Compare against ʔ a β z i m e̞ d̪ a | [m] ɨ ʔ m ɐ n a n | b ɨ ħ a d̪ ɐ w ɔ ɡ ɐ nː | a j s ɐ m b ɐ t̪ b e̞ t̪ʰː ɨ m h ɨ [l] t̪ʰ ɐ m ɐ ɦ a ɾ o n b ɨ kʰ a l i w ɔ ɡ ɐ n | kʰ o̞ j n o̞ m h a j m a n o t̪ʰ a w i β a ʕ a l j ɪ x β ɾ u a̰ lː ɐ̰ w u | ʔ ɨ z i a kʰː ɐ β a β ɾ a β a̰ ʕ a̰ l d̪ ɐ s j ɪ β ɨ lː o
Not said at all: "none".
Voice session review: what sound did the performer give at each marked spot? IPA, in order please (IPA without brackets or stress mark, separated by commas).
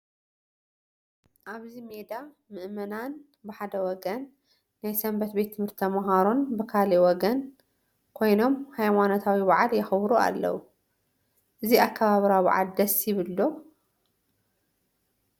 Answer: m, ɾ